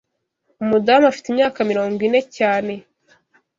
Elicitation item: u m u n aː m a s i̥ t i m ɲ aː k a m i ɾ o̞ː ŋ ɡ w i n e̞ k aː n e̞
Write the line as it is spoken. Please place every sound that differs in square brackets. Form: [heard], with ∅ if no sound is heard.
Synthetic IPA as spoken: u m u [d] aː m a [f] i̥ t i m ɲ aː k a m i ɾ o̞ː ŋ ɡ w i n e̞ [c] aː n e̞